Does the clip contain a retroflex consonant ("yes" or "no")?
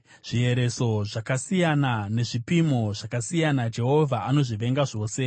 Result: yes